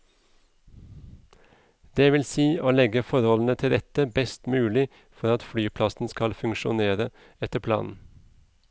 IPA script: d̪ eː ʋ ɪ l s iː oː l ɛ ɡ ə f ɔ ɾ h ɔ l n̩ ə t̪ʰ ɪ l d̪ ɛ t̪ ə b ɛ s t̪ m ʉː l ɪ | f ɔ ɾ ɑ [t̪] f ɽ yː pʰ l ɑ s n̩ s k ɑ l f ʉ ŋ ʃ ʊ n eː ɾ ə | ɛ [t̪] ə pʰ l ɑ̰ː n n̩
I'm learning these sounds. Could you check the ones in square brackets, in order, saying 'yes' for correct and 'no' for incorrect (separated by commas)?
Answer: yes, yes